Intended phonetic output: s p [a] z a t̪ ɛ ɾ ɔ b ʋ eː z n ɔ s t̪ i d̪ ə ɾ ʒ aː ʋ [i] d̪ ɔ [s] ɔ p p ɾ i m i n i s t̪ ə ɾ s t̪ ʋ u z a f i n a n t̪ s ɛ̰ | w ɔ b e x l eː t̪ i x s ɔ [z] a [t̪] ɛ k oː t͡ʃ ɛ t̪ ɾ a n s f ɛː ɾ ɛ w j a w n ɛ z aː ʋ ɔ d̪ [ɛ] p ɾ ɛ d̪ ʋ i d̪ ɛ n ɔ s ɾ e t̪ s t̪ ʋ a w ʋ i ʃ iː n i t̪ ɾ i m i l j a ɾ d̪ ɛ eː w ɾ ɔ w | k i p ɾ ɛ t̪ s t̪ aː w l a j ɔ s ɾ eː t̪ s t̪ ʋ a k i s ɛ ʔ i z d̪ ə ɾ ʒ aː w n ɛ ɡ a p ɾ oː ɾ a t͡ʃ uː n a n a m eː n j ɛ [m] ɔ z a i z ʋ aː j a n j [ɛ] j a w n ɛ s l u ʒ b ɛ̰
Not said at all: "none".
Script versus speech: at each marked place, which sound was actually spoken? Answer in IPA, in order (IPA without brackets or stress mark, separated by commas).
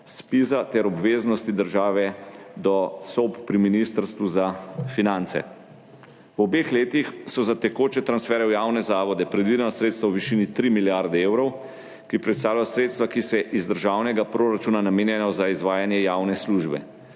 i, ɛ, s, z, t̪, ɛ, n, ɛ